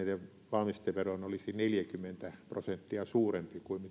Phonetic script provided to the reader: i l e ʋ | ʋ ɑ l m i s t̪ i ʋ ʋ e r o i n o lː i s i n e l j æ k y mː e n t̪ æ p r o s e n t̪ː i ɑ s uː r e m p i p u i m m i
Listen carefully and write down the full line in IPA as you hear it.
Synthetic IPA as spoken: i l e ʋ | ʋ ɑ l m i s t̪ e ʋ ʋ e r o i n o l i s i n e l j æ k y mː e n t̪ æ p r o s e n t̪ː i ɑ s uː r e m p i k u i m m i

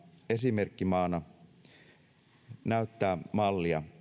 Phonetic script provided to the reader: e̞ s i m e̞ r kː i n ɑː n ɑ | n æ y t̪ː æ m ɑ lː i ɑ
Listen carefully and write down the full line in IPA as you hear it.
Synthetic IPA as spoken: e̞ s i m e̞ r kː i m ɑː n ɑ | n æ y t̪ː æː m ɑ lː i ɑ

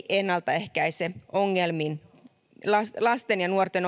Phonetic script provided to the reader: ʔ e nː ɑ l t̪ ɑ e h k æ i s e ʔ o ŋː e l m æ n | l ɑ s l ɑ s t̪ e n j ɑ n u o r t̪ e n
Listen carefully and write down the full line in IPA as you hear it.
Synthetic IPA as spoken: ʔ e nː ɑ l t̪ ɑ e h k æ i s e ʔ o ŋː e l m i n | l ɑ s l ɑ s t̪ e n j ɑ n u o r t̪ e n

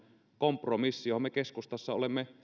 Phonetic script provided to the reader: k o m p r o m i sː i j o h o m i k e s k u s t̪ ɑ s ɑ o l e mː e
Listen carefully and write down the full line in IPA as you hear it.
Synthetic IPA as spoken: k o m p r o m i sː i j o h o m e k e s k u s t̪ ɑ sː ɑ o l e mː e

